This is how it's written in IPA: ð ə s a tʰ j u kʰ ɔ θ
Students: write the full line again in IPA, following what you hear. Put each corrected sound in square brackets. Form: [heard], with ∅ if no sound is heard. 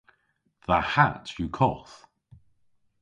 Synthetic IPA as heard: ð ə [h] a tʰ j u kʰ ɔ θ